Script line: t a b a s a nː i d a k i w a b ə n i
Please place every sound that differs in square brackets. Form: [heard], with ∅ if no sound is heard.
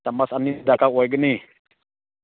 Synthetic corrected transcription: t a [m] a s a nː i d a k [a] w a [ɡ] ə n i